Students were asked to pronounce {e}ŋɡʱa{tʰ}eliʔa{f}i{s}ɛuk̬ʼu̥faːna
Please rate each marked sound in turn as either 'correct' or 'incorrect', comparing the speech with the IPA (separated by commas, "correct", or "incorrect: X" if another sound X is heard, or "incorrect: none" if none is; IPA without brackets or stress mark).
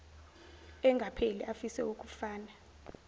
incorrect: ɛ, incorrect: pʰ, correct, correct